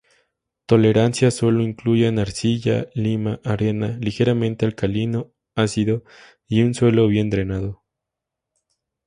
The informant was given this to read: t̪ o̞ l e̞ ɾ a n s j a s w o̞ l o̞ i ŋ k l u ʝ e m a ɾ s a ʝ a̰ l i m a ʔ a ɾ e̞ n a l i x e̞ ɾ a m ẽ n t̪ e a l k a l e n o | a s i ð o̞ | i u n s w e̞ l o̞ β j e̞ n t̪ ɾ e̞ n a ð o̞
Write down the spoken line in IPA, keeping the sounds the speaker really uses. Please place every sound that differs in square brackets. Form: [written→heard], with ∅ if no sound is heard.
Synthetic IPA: t̪ o̞ l e̞ ɾ a n s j a s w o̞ l o̞ i ŋ k l u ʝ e [m→n] a ɾ s [a→i] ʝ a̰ l i m a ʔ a ɾ e̞ n a l i x e̞ ɾ a m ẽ n t̪ e a l k a l [e→i] n o | a s i ð o̞ | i u n s w e̞ l o̞ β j e̞ n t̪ ɾ e̞ n a ð o̞